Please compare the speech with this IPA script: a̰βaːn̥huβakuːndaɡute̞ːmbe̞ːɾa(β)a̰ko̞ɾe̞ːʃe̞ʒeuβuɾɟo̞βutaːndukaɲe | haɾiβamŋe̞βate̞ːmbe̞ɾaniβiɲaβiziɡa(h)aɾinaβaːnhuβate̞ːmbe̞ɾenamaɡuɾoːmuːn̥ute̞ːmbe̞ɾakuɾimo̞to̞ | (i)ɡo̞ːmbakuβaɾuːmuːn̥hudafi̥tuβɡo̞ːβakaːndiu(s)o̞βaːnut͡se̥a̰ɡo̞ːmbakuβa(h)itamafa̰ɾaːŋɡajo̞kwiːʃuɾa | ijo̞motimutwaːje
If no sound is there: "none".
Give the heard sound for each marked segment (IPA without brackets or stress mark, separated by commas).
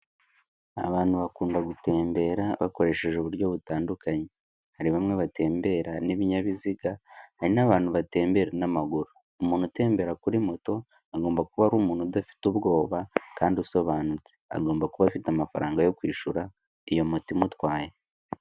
β, h, a, s, f